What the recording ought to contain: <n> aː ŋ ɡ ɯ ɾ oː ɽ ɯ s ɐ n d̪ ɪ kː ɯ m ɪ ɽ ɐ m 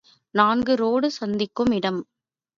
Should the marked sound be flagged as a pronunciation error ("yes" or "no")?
no